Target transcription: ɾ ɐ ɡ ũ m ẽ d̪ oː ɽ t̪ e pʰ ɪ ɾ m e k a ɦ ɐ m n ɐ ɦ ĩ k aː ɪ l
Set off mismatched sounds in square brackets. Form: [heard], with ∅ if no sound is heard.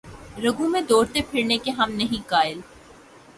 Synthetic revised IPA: ɾ ɐ ɡ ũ m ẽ d̪ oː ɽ t̪ e pʰ ɪ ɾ [n] e k [e] ɦ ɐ m n ɐ ɦ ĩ k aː ɪ l